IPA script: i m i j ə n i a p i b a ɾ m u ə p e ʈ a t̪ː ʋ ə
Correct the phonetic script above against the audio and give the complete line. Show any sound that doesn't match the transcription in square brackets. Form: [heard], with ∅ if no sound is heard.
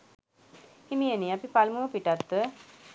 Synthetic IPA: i m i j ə n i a p i [p] a [l] m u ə p [i] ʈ a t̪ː ʋ ə